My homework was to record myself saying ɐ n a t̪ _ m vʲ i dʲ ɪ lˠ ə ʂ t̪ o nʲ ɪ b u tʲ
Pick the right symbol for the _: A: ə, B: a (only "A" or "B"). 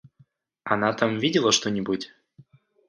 B